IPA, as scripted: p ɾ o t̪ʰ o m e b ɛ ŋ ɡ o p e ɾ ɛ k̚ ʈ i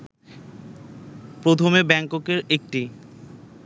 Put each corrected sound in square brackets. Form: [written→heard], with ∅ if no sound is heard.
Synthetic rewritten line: p ɾ o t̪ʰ o m e b ɛ ŋ [ɡ→k] o [p→k] e ɾ [ɛ→e] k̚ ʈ i